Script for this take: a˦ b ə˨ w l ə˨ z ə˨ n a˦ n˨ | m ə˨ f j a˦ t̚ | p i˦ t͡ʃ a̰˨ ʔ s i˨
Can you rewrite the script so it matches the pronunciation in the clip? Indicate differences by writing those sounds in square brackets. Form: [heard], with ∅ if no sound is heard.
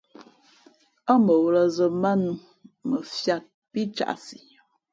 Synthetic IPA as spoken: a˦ [m] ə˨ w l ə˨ z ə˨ [m] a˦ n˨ | m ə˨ f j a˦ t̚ | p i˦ t͡ʃ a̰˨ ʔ s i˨